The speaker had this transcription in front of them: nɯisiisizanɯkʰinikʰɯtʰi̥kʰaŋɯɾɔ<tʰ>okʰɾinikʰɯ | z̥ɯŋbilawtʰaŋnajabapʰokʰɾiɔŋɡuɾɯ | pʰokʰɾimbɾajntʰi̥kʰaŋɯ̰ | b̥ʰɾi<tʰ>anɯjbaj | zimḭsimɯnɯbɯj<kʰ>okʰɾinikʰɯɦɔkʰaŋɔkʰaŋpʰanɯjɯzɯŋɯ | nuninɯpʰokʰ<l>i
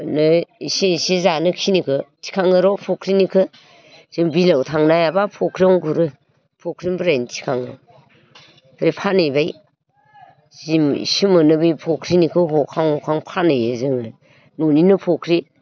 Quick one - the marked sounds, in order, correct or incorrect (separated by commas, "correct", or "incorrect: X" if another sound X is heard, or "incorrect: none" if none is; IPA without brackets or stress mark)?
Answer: incorrect: pʰ, incorrect: pʰ, incorrect: pʰ, incorrect: ɾ